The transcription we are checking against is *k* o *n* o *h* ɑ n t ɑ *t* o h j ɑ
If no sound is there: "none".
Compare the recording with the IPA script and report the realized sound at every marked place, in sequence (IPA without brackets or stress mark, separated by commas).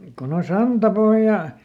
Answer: k, n, s, p